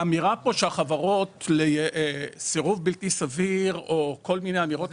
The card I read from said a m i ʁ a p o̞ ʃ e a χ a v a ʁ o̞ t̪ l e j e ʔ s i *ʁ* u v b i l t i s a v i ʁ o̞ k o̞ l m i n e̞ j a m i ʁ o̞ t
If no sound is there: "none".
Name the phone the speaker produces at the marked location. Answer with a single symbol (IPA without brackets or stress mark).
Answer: ʁ